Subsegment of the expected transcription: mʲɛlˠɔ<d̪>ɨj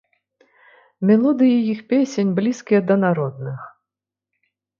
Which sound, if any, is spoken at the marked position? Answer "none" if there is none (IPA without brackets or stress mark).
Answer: d̪